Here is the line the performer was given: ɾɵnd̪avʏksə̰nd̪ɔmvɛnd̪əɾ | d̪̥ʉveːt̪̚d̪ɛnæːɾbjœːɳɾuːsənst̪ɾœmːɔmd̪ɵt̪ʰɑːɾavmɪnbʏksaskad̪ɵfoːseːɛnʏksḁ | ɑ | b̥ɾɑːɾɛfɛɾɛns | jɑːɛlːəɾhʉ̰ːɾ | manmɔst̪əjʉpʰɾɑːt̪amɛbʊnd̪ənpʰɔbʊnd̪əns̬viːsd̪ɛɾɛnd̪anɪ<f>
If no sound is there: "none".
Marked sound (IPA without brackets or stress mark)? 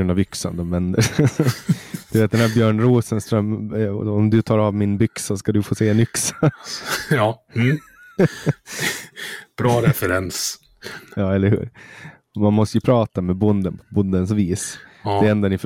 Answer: f